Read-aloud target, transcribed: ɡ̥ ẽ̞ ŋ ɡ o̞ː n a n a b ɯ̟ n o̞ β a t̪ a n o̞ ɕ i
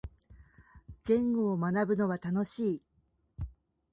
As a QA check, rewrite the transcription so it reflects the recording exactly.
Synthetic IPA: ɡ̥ ẽ̞ ŋ ɡ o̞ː m a n a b ɯ̟ n o̞ β a t̪ a n o̞ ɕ iː